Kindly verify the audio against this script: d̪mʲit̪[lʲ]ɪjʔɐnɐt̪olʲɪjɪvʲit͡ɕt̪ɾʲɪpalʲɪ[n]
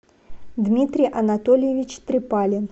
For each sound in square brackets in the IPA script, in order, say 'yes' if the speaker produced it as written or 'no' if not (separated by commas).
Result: no, yes